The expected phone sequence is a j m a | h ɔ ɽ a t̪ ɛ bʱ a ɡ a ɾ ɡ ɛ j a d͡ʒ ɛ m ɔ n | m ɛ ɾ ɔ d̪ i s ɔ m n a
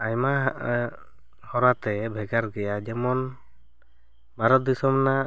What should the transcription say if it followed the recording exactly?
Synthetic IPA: a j m a | h ɔ ɾ a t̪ ɛ bʱ ɛ ɡ a ɾ ɡ ɛ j a d͡ʒ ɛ m ɔ n | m a ɾ ɔ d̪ i s ɔ m n a